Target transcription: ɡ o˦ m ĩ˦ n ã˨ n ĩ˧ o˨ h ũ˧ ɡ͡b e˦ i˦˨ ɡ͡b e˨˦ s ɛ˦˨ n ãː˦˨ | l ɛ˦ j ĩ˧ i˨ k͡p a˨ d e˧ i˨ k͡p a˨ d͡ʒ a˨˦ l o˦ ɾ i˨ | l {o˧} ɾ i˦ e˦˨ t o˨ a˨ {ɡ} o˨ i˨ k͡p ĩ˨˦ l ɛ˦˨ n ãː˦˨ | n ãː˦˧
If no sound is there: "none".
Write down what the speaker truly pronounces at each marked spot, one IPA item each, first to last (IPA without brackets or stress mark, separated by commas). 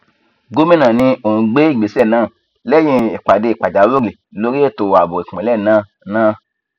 o˧, b